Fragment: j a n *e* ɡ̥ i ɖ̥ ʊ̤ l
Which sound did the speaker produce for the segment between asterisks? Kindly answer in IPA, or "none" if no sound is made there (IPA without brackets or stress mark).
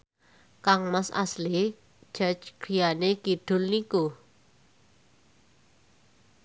e